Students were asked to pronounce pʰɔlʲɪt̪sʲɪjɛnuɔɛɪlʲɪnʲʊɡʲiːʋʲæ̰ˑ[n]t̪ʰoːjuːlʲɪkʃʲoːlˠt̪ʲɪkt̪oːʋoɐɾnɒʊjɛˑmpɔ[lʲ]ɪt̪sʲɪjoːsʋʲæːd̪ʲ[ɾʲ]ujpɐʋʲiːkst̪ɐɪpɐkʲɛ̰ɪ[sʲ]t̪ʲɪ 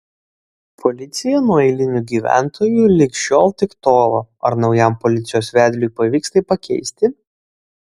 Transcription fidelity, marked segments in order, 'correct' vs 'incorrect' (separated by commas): correct, correct, incorrect, correct